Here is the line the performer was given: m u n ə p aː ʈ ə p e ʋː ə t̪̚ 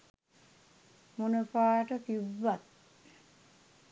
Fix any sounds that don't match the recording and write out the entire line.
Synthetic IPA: m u n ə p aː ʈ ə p i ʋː a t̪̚